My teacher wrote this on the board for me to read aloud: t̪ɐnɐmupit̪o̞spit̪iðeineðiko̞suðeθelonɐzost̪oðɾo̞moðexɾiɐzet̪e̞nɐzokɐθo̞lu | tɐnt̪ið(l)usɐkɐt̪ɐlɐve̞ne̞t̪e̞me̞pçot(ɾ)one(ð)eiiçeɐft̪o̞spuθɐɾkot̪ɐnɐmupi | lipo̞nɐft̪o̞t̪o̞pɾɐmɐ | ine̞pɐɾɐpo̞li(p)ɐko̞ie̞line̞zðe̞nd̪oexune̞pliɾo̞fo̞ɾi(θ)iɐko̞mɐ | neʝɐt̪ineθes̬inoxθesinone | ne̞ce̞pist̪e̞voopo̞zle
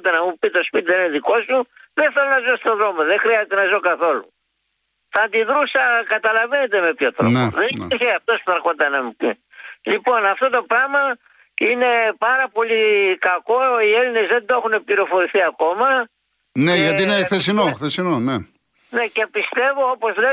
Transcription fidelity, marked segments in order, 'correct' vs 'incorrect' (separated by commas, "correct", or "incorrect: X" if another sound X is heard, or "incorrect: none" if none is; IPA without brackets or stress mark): incorrect: ɾ, correct, correct, incorrect: k, correct